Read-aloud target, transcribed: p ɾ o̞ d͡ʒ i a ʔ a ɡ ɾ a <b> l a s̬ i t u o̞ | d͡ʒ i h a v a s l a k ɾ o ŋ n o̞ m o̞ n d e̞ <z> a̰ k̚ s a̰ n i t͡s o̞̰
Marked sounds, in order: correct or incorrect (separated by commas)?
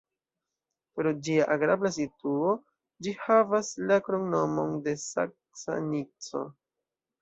correct, incorrect